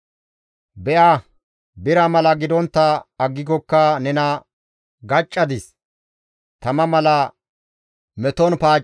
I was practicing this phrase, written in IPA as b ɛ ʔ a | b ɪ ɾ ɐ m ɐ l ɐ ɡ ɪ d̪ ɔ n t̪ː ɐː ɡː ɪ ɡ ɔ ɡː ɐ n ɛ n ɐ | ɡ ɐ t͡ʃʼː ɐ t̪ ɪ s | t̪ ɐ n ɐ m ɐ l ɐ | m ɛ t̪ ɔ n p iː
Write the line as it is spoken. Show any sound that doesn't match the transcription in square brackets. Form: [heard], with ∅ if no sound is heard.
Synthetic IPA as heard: b ɛ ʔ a | b ɪ ɾ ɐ m ɐ l ɐ ɡ ɪ d̪ ɔ n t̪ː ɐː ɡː ɪ ɡ ɔ [kː] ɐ n ɛ n ɐ | ɡ ɐ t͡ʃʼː ɐ [d̪] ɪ s | t̪ ɐ [m] ɐ m ɐ l ɐ | m ɛ t̪ ɔ n p [aː]